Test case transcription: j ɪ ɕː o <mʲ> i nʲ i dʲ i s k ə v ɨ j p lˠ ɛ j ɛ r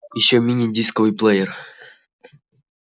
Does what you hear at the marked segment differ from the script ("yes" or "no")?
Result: no